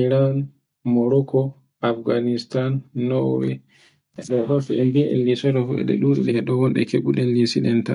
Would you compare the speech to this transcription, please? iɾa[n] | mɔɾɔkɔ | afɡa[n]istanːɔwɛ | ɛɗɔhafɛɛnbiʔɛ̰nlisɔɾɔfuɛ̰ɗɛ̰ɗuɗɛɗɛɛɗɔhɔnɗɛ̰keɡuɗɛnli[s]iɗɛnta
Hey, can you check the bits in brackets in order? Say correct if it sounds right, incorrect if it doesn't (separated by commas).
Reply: correct, correct, correct